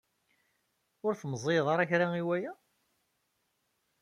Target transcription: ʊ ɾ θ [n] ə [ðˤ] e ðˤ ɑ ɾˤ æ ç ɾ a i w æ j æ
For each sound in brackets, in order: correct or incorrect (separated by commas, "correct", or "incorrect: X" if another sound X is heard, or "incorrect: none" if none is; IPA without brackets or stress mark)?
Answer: incorrect: m, incorrect: zˤ